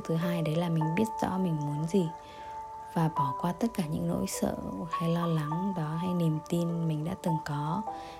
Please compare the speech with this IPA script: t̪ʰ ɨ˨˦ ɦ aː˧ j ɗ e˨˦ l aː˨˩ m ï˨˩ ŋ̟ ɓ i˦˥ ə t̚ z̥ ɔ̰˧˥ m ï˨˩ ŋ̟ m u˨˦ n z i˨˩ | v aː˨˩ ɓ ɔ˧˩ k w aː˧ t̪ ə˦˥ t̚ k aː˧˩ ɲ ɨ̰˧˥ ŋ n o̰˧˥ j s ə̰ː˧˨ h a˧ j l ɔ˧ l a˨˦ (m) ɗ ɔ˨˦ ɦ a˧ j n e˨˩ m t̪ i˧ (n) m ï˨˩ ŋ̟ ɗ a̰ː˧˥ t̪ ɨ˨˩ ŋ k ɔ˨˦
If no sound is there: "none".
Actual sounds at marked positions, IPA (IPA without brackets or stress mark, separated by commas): ŋ, n